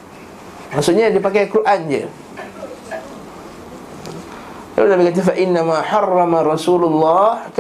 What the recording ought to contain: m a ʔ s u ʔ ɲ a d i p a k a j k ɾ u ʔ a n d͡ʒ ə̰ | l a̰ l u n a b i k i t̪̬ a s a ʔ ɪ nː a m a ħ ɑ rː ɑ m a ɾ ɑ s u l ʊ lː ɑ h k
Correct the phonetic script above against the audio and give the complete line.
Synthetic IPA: m a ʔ s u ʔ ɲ a d i p a k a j k ɾ u ʔ a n d͡ʒ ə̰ | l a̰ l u n a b i k a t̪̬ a f a ʔ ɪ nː a m a ħ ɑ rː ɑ m a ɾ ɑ s u l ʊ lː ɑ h k